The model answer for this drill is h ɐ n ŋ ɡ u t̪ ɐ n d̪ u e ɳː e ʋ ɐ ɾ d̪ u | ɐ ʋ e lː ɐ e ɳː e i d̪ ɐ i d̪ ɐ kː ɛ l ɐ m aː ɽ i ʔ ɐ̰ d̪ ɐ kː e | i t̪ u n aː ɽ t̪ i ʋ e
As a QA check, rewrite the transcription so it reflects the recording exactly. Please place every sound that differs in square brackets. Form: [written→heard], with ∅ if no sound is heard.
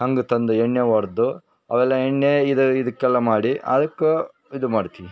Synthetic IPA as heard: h ɐ [n→∅] ŋ ɡ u t̪ ɐ n d̪ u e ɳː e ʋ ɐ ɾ d̪ u | ɐ ʋ [e→ɛ] lː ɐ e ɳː e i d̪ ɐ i d̪ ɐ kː ɛ [l→lː] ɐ m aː ɽ i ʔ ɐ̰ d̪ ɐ kː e | i [t̪→d̪] u [n→m] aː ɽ t̪ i ʋ [e→i]